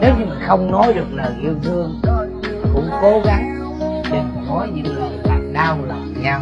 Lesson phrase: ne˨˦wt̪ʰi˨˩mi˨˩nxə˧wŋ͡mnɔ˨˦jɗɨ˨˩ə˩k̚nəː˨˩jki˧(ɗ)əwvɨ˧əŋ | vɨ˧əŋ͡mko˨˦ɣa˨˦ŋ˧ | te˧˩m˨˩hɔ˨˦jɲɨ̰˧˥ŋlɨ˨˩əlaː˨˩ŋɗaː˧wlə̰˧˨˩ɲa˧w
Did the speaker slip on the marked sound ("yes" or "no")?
yes